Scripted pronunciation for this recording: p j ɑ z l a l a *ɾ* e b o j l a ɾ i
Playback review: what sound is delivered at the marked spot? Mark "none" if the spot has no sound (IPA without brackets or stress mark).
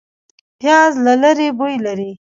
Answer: ɾ